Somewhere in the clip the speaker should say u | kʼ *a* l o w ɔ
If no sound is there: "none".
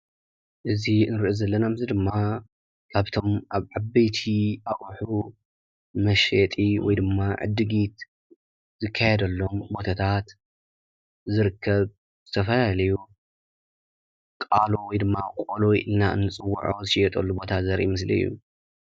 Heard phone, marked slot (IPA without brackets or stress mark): a